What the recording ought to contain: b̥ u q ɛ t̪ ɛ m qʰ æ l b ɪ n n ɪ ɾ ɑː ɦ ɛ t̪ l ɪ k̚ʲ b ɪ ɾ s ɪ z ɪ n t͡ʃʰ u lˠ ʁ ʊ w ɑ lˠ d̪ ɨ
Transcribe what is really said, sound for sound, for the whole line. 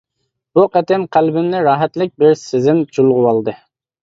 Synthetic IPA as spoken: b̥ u q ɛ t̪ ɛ m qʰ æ l b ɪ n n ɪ ɾ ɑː ɦ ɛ t̪ l ɪ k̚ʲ b ɪ ɾ s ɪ z ɪ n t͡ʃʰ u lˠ ʁ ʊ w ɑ lˠ d̪ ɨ